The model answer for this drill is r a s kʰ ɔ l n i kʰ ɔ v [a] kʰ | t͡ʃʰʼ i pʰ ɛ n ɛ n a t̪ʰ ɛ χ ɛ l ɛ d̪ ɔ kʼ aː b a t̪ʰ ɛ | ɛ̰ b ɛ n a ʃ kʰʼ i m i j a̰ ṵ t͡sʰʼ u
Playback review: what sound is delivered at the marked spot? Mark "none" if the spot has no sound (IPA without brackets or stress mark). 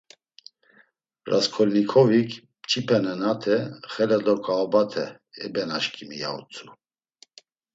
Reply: i